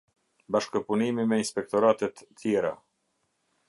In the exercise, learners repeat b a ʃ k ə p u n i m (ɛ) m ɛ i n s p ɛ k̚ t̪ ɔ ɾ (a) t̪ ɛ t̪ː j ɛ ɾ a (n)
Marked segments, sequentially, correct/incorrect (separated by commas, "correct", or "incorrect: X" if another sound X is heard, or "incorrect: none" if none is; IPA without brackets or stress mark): incorrect: i, correct, incorrect: none